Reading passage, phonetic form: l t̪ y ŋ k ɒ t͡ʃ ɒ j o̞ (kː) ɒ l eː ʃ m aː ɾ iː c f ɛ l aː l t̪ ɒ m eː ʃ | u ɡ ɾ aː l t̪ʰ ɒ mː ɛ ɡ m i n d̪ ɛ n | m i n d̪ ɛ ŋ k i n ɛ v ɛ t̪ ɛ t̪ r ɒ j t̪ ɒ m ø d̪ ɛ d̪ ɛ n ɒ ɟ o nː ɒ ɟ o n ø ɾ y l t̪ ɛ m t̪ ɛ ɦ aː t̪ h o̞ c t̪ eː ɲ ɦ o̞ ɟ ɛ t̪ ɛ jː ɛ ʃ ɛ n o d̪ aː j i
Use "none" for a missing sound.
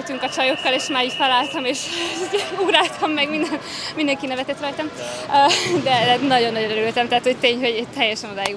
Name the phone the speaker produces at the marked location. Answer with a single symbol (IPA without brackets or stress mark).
kː